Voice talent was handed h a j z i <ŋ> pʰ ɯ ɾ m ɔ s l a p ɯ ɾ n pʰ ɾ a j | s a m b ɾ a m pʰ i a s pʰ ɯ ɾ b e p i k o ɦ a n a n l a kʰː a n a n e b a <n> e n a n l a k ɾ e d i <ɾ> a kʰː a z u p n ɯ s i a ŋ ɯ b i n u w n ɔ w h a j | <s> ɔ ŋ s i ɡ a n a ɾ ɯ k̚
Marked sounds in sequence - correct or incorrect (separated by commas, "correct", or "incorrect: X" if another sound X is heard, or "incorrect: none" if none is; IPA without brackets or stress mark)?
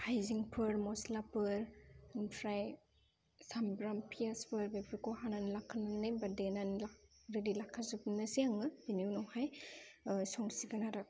correct, incorrect: d, incorrect: l, correct